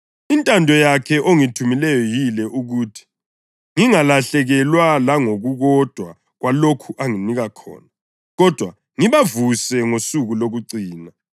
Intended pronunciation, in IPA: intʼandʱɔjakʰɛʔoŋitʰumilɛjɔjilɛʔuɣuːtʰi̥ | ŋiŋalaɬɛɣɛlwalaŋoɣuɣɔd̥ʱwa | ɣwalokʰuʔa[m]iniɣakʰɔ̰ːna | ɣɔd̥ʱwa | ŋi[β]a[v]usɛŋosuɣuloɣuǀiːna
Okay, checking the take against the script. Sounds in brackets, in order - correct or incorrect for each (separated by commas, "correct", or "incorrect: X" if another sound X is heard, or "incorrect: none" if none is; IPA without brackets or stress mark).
incorrect: ŋ, correct, correct